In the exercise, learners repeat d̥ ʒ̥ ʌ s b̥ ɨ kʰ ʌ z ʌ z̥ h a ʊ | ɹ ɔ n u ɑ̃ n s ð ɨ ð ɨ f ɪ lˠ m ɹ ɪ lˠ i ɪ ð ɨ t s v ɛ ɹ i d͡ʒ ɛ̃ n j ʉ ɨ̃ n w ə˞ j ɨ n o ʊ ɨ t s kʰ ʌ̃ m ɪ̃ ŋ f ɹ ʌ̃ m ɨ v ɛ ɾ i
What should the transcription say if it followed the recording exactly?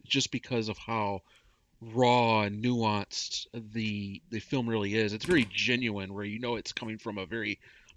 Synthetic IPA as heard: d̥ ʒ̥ ʌ s b̥ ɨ kʰ ʌ z ʌ v̥ h a ʊ | ɹ ɔ n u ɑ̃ n s ð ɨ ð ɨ f ɪ lˠ m ɹ ɪ lˠ i ɪ z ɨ t s v ɛ ɹ i d͡ʒ ɛ̃ n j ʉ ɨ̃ n w ə˞ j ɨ n o ʊ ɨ t s kʰ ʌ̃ m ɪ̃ ŋ f ɹ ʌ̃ m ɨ v ɛ ɹ i